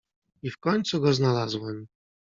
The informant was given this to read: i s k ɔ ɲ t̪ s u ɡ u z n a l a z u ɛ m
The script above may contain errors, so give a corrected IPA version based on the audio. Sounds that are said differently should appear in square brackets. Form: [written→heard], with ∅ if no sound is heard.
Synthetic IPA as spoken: i [s→f] k ɔ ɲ t̪ s u ɡ [u→ɔ] z n a l a z [u→w] ɛ m